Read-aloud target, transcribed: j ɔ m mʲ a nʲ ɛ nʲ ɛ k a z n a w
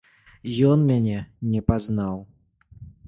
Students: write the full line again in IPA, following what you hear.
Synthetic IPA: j ɔ n mʲ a nʲ ɛ nʲ ɛ p a z n a w